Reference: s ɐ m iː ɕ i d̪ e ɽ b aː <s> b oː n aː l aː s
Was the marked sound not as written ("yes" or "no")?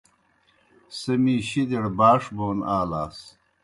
yes